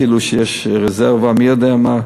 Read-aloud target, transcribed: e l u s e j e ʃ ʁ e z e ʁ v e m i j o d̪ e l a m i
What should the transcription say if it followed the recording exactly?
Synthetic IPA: i l u ʃ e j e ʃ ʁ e z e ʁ v a m i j o d̪ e a m a